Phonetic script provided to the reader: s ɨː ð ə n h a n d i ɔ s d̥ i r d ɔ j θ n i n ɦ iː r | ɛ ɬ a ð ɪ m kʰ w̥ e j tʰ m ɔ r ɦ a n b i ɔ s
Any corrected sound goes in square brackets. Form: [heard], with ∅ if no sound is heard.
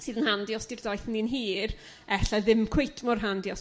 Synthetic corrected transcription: s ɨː ð ə n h a n d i ɔ s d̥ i r d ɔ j θ n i n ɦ iː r | ɛ ɬ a ð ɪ m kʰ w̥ e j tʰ m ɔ r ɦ a n [d] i ɔ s

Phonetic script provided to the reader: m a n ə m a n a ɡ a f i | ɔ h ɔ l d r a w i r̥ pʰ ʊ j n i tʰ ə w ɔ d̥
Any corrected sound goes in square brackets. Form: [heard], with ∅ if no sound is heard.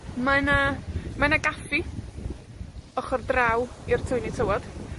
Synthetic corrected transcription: m a n [a] m a n a ɡ a f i | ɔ [χ] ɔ [r] d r a w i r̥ [tʰ] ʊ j n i tʰ ə w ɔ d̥

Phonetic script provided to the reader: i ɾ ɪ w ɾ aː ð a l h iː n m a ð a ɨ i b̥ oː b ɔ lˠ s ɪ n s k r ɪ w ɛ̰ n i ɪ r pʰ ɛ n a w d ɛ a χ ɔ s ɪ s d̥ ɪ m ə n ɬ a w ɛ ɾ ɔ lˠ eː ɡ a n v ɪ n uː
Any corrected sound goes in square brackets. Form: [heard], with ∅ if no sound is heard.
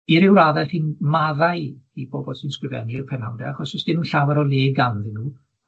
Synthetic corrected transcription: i ɾ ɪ w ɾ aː ð [ɛ] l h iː n m a ð a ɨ i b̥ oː b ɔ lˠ s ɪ n s k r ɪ [v] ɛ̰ n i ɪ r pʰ ɛ n a w d ɛ a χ ɔ s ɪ s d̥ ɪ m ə n ɬ a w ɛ ɾ ɔ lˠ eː ɡ a n [ð] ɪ n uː

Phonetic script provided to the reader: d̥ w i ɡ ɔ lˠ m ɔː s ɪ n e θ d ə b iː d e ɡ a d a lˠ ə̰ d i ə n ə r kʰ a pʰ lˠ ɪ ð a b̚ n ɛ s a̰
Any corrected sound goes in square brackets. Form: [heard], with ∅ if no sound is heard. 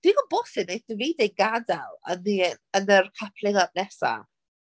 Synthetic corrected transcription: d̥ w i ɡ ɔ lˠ [b] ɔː s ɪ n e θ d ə [v] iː d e ɡ a d a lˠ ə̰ [n] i ə n ə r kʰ a pʰ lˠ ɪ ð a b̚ n ɛ s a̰

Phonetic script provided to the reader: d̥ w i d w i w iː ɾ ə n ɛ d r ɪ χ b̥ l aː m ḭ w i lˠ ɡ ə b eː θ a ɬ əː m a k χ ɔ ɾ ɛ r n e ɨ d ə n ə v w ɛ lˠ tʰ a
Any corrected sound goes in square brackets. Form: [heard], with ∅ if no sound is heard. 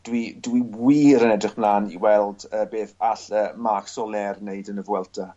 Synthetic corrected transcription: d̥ w i d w i w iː ɾ ə n ɛ d r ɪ χ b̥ l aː [n] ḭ w [ɛ] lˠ [d] ə b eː θ a ɬ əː m a k [s] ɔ [l] ɛ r n e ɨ d ə n ə v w ɛ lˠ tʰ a

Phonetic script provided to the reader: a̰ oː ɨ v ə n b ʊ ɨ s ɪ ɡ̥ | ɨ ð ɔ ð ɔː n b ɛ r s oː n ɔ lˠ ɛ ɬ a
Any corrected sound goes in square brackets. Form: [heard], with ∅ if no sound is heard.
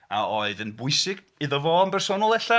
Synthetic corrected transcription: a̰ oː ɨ [ð] ə n b ʊ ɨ s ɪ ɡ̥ | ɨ ð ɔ [v] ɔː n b ɛ r s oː n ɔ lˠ ɛ ɬ a

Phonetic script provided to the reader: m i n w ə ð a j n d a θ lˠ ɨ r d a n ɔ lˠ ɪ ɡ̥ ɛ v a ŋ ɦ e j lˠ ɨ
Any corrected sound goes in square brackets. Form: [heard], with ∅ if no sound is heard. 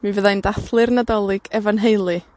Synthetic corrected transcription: m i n [v] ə ð a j n d a θ lˠ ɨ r [n] a [d] ɔ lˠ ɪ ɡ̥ ɛ v a [n] ɦ e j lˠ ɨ

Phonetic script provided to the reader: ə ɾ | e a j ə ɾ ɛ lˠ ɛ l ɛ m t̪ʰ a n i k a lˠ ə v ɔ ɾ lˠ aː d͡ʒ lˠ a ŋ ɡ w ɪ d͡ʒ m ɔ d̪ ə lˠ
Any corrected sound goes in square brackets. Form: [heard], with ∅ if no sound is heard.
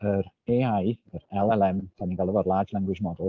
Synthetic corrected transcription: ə ɾ | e a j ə ɾ ɛ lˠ ɛ l ɛ m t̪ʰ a n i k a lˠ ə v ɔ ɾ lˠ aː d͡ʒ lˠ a ŋ ɡ w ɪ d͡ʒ m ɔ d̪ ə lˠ

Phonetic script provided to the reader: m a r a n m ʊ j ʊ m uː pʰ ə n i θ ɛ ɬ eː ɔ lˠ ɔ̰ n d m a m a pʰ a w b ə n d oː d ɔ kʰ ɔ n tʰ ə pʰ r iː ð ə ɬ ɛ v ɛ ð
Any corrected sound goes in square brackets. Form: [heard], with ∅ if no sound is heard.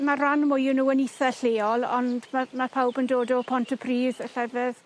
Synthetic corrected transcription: m a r a n m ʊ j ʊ [n] uː [∅] ə n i θ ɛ ɬ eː ɔ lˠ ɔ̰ n d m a m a pʰ a w b ə n d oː d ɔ [pʰ] ɔ n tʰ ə pʰ r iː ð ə ɬ ɛ v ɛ ð

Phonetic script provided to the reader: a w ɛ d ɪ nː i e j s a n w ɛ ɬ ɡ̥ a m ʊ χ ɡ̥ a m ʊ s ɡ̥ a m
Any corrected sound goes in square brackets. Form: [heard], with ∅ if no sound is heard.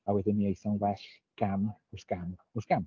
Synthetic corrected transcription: a w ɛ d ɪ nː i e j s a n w ɛ ɬ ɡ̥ a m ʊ [s] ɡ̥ a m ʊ s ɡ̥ a m

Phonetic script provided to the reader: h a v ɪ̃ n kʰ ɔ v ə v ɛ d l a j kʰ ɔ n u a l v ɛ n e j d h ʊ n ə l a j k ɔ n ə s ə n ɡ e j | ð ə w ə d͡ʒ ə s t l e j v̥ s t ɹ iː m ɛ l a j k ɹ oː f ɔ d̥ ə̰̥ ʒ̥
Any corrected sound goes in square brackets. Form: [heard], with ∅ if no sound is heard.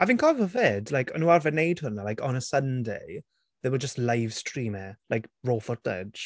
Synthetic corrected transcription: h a v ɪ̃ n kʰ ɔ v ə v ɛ d l a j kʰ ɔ n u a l v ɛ n e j d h ʊ n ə l a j k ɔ n ə s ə n [d] e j | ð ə w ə d͡ʒ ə s t l [a] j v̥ s t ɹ iː m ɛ l a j k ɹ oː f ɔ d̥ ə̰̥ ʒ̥

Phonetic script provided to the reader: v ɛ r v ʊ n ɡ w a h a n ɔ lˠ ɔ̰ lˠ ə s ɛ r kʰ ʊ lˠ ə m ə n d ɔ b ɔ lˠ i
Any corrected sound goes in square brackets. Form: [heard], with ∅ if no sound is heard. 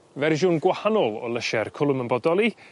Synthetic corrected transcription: v ɛ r [ʒ] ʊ n ɡ w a h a n ɔ lˠ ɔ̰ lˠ ə [ʃ] ɛ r kʰ ʊ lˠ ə m ə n [b] ɔ [d] ɔ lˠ i

